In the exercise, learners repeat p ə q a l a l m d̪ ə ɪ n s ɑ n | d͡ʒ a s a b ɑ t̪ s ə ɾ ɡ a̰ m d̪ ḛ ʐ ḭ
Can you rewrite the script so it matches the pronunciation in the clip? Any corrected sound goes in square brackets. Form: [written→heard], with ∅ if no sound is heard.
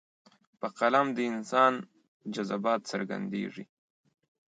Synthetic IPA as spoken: p ə q a l a [l→∅] m d̪ ə ɪ n s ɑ n | d͡ʒ a [s→z] a b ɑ t̪ s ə ɾ ɡ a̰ [m→n] d̪ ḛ ʐ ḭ